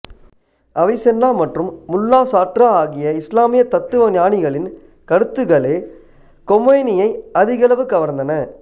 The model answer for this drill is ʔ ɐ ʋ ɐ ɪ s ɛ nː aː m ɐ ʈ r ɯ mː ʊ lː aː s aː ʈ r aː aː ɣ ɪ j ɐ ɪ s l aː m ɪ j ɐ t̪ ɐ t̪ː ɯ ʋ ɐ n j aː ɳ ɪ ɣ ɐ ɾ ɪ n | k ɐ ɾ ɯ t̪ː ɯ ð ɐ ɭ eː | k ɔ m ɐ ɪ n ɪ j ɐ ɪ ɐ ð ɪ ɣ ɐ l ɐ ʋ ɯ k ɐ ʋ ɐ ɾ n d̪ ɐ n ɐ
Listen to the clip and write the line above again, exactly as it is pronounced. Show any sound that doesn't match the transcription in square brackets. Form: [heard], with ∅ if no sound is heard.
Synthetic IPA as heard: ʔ ɐ ʋ ɐ ɪ s ɛ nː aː m ɐ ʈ r ɯ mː ʊ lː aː s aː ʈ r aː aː ɣ ɪ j ɐ ɪ s l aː m ɪ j ɐ t̪ ɐ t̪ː ɯ ʋ ɐ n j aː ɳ ɪ ɣ ɐ [ɭ] ɪ n | k ɐ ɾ ɯ t̪ː ɯ [ɣ] ɐ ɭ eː | k ɔ m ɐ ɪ n ɪ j ɐ ɪ ɐ ð ɪ ɣ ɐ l ɐ ʋ ɯ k ɐ ʋ ɐ ɾ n d̪ ɐ n ɐ